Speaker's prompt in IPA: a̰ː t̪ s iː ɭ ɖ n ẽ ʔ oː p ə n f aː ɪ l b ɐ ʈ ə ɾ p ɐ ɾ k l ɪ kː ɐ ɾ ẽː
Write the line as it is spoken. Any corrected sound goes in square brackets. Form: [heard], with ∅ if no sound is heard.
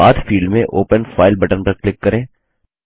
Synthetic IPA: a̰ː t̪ [f] iː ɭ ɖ [m] ẽ ʔ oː p ə n f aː ɪ l b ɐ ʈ ə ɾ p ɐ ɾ k l ɪ kː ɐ ɾ ẽː